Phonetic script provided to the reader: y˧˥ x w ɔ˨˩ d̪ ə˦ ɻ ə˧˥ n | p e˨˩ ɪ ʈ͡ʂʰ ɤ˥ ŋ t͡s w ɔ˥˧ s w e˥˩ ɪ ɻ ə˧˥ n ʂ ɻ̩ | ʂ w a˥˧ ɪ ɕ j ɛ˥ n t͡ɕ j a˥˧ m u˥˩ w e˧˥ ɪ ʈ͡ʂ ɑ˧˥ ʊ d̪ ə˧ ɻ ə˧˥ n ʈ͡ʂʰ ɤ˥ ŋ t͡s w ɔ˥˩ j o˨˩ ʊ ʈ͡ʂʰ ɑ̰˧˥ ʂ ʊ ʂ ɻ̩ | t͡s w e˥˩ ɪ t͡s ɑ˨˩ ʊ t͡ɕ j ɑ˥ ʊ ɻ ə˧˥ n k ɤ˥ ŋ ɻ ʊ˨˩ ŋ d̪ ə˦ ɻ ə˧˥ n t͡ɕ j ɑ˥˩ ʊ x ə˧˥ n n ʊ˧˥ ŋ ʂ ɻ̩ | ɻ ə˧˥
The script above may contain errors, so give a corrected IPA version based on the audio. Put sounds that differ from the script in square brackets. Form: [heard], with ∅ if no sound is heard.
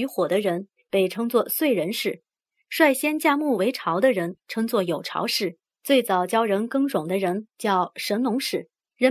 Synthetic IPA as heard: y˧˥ x w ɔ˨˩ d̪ ə˦ ɻ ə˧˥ n | p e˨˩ ɪ ʈ͡ʂʰ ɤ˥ ŋ t͡s w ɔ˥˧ s w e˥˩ ɪ ɻ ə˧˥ n ʂ ɻ̩ | ʂ w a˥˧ ɪ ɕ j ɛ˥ n t͡ɕ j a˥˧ m u˥˩ w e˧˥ ɪ [ʈ͡ʂʰ] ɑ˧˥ ʊ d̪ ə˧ ɻ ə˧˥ n ʈ͡ʂʰ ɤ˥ ŋ t͡s w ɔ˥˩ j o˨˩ ʊ ʈ͡ʂʰ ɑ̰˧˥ [∅] ʊ ʂ ɻ̩ | t͡s w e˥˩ ɪ t͡s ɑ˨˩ ʊ t͡ɕ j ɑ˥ ʊ ɻ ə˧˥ n k ɤ˥ ŋ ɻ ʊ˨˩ ŋ d̪ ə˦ ɻ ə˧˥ n t͡ɕ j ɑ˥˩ ʊ [ʂ] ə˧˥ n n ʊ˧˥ ŋ ʂ ɻ̩ | ɻ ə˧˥